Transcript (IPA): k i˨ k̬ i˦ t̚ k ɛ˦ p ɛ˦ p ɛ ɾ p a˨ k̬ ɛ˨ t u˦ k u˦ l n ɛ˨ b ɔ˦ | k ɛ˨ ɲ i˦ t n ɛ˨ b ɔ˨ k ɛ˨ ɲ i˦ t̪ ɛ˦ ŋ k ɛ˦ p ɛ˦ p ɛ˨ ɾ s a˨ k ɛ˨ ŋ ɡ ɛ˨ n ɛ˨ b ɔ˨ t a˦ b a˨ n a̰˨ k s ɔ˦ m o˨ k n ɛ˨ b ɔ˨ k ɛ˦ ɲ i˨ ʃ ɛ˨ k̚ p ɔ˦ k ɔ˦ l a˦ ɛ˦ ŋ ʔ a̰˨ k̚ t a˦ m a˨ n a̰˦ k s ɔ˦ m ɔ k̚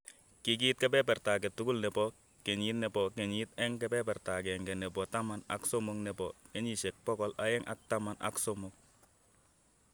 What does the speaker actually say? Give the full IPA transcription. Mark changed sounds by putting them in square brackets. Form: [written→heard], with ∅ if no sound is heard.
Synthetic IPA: k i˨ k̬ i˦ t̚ k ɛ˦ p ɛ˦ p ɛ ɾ [p→t] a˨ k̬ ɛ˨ t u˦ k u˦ l n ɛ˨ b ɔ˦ | k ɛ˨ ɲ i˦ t n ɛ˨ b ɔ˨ k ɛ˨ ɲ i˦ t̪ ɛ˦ ŋ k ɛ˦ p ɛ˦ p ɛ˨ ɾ [s→t] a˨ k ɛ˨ ŋ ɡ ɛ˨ n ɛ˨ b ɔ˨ t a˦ [b→m] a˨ n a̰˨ k s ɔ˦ m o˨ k n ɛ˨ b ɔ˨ k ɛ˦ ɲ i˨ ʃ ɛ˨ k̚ p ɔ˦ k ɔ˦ l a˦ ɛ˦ ŋ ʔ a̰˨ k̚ t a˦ m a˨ n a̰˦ k s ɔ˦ m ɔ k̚

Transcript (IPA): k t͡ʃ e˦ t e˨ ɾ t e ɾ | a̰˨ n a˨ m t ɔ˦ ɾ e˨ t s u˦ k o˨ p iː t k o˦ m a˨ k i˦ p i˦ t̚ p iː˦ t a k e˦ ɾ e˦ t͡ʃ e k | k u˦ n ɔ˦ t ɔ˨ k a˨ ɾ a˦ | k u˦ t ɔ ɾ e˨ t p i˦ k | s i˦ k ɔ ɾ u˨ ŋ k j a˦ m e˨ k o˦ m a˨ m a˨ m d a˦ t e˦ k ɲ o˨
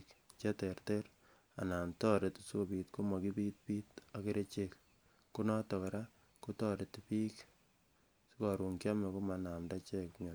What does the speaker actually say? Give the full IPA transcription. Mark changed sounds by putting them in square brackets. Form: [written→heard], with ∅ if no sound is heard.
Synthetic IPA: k t͡ʃ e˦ t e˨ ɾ t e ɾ | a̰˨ n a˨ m t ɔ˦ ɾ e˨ t s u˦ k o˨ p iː t k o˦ m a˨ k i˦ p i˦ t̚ p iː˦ t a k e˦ ɾ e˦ t͡ʃ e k | k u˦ n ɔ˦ t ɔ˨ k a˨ ɾ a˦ | k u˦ t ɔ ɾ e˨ t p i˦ k | s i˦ k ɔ ɾ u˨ ŋ k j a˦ m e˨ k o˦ m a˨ [m→n] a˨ m d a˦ [t→t͡ʃ] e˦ k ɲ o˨

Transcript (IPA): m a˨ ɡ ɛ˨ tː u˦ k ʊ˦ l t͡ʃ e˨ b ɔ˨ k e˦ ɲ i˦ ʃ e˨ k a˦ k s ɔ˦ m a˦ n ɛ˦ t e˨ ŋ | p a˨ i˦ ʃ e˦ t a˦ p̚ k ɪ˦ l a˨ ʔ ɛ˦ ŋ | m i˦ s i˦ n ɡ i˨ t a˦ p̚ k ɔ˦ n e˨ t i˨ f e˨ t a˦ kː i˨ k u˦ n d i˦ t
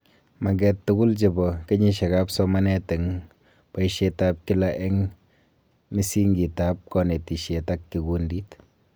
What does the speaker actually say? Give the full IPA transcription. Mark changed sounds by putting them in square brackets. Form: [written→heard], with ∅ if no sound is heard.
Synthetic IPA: m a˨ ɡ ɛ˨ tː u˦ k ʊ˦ l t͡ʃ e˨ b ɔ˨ k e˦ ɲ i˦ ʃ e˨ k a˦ [k→p] s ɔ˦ m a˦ n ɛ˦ t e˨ ŋ | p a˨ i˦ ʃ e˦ t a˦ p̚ k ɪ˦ l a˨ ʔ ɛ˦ ŋ | m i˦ s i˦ [n→ŋ] ɡ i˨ t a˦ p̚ k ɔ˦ n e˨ t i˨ [f→ʃ] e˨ t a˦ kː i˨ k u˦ n d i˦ t

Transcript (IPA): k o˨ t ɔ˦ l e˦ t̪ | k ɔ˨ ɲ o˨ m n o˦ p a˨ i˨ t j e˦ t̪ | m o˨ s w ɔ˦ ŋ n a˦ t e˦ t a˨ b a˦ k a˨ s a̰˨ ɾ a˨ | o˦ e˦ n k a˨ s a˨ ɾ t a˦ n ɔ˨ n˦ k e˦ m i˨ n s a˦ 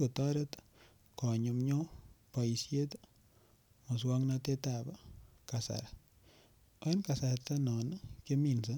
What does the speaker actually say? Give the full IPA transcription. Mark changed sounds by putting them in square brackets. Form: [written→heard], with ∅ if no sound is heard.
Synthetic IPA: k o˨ t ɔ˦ [l→ɾ] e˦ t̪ | k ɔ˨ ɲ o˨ m [n→ɲ] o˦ p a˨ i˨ [t→s] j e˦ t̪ | m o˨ s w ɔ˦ ŋ n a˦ t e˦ t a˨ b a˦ k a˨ s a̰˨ ɾ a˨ | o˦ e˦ n k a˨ s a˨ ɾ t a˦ n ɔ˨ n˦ k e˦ m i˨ n s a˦

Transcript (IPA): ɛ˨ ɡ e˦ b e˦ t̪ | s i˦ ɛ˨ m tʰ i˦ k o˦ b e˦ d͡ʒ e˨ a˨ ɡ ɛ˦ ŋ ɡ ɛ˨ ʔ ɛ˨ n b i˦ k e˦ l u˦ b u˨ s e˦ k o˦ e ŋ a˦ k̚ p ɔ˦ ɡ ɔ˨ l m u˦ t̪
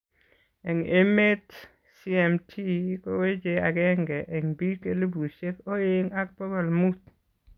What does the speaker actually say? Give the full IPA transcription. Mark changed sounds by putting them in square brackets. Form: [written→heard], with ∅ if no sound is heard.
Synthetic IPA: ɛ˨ [ɡ→ŋ] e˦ [b→m] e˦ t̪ | s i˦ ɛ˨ m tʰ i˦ k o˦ [b→w] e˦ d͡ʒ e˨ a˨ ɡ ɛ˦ ŋ ɡ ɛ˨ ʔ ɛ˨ [n→ŋ] b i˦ k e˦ l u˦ b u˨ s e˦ k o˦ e ŋ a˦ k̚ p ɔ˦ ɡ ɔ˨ l m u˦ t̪

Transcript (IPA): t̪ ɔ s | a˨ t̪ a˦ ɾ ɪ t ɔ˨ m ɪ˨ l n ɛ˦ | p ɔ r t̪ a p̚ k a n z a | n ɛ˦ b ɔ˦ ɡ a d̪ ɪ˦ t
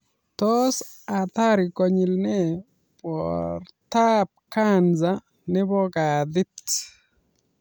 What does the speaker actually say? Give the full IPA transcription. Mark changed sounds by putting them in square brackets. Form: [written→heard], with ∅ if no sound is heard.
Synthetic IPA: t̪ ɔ s | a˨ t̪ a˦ ɾ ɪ [t→k] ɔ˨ [m→ɲ] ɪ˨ l n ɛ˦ | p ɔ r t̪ a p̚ k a n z a | n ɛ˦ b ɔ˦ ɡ a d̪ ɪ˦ t

